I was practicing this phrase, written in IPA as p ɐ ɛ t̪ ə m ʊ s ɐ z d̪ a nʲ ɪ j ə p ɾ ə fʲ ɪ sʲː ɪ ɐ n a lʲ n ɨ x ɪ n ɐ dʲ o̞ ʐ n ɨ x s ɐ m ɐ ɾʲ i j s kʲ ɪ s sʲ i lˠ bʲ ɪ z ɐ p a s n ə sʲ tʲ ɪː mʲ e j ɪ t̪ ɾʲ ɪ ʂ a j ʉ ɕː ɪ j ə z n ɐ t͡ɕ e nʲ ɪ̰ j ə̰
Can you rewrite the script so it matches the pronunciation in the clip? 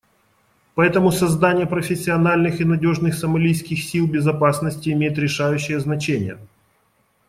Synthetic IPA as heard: p ɐ ɛ t̪ ə m ʊ s ɐ z d̪ a nʲ ɪ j ə p ɾ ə fʲ ɪ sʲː ɪ ɐ n a lʲ n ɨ x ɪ n ɐ dʲ o̞ ʐ n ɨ x s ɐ m ɐ lʲ i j s kʲ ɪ x sʲ i lˠ bʲ ɪ z ɐ p a s n ə sʲ tʲ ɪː mʲ e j ɪ t̪ ɾʲ ɪ ʂ a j ʉ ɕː ɪ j ə z n ɐ t͡ɕ e nʲ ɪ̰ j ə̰